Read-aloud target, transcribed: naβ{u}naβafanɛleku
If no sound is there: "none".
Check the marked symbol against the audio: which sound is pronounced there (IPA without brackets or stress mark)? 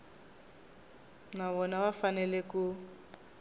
ɔ